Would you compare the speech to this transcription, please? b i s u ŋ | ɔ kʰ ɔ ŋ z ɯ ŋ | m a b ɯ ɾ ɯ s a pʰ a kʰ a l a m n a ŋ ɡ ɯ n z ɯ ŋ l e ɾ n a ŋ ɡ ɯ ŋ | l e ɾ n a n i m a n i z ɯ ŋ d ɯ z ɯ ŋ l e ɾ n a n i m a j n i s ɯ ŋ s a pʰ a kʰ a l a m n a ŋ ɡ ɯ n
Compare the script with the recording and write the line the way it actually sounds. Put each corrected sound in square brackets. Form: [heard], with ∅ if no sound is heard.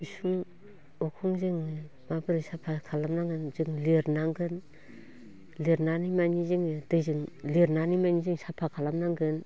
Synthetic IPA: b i s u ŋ | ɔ kʰ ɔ ŋ z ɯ ŋ | m a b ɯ ɾ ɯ s a pʰ a kʰ a l a m n a ŋ ɡ ɯ n z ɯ ŋ l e ɾ n a ŋ ɡ ɯ [n] | l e ɾ n a n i m a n i z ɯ ŋ d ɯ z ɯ ŋ l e ɾ n a n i m a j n i [z] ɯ ŋ s a pʰ a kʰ a l a m n a ŋ ɡ ɯ n